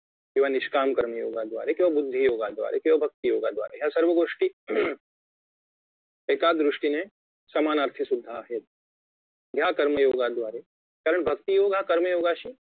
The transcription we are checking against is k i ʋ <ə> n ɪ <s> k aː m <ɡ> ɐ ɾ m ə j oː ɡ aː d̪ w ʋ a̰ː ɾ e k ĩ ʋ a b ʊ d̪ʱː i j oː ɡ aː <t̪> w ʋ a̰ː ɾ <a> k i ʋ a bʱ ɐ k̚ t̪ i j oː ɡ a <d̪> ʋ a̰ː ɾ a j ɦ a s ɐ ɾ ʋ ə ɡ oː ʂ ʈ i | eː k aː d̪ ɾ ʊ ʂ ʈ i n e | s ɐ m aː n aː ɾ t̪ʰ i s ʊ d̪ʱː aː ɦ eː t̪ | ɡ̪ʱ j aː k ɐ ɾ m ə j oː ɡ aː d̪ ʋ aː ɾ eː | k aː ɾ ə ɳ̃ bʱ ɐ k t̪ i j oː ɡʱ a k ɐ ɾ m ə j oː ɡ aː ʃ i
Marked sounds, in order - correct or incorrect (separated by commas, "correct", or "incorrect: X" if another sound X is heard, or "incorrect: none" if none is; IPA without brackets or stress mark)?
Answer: incorrect: a, incorrect: ʃ, incorrect: k, incorrect: d̪, incorrect: e, correct